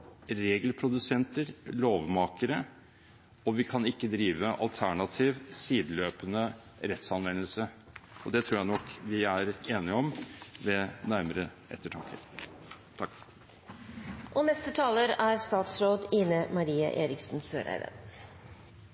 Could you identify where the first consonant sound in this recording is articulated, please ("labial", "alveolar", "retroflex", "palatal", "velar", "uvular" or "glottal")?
alveolar